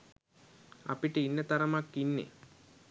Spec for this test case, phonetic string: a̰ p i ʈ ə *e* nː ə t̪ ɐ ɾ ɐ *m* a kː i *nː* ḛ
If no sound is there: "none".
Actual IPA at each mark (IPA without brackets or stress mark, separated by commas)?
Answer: i, m, nː